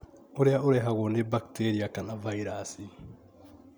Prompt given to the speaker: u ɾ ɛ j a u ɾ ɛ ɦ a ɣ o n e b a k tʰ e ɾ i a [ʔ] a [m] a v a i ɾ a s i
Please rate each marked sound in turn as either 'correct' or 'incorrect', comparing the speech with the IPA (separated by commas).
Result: incorrect, incorrect